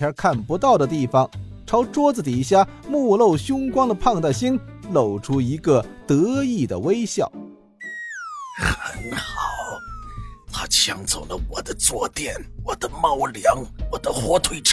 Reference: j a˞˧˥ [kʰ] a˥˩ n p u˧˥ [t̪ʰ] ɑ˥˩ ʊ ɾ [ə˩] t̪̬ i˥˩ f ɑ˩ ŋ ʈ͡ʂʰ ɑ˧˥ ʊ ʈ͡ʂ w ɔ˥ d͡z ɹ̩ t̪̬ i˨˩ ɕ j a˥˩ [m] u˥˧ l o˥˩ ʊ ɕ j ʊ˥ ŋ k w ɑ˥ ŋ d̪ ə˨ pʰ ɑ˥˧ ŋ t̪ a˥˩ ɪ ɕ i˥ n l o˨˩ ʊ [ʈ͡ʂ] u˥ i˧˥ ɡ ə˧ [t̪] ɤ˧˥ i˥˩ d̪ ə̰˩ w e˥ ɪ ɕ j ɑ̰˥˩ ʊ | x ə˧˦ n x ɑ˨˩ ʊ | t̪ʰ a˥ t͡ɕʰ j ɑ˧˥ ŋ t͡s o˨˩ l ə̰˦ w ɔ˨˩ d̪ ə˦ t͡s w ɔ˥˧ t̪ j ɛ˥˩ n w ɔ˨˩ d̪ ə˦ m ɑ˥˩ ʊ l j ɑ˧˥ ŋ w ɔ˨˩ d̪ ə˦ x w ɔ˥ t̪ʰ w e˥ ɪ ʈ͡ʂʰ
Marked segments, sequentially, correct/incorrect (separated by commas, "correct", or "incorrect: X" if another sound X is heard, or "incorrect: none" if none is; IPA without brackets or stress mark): correct, incorrect: t̪, correct, correct, incorrect: ʈ͡ʂʰ, correct